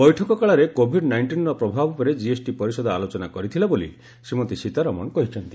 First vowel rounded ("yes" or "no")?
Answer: yes